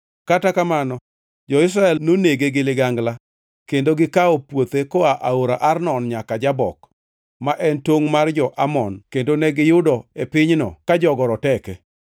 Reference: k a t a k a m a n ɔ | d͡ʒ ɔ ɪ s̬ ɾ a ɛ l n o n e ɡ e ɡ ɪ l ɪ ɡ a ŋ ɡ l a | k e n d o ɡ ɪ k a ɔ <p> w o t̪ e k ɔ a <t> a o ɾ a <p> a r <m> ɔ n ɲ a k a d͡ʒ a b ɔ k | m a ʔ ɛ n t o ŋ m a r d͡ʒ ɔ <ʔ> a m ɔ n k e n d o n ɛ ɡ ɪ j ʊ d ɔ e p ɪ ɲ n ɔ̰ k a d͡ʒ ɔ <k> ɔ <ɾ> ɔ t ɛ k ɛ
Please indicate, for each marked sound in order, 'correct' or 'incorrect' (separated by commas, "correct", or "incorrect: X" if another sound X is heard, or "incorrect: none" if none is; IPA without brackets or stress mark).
correct, incorrect: ʔ, incorrect: ʔ, incorrect: n, correct, incorrect: ɡ, correct